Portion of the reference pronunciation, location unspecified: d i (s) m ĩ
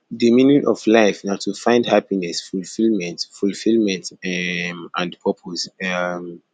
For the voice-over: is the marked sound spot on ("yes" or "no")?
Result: no